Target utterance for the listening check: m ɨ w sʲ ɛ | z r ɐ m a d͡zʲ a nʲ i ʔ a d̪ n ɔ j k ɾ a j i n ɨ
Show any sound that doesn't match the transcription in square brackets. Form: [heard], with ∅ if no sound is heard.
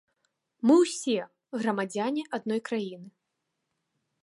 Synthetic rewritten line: m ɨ w sʲ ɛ | [ɣ] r ɐ m a d͡zʲ a nʲ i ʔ a d̪ n ɔ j k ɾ a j i n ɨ